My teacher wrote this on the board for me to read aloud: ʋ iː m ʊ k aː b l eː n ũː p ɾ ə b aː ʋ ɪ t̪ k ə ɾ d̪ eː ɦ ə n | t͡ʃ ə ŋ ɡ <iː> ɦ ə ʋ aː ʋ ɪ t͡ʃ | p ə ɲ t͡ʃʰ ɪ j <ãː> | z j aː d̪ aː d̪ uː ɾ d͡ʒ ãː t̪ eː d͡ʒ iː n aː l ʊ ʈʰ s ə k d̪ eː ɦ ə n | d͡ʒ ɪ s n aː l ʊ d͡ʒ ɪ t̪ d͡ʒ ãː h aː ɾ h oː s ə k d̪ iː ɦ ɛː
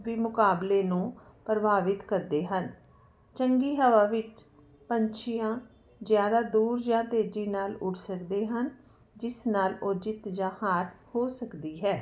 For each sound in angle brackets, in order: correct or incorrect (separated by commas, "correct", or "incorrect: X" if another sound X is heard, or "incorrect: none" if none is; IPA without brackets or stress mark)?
correct, correct